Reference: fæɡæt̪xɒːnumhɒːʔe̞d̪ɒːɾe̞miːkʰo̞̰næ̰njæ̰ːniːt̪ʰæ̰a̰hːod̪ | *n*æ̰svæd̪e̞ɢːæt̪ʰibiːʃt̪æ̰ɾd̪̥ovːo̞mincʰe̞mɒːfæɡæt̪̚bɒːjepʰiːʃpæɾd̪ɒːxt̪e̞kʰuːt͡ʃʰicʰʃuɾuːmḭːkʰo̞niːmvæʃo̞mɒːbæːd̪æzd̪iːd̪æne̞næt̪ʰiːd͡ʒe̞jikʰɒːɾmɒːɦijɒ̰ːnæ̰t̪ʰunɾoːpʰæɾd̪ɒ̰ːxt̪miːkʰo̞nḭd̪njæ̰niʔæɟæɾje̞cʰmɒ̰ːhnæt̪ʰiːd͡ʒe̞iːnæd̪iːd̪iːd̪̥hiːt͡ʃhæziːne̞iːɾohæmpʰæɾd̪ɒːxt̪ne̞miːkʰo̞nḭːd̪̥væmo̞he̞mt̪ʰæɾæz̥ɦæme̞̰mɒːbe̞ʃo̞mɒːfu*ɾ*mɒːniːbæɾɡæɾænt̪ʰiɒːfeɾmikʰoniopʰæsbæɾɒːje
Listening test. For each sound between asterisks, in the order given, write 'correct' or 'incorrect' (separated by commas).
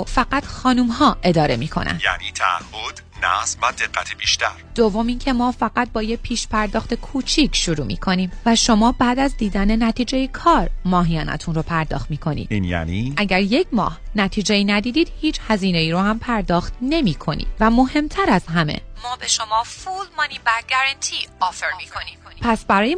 correct, incorrect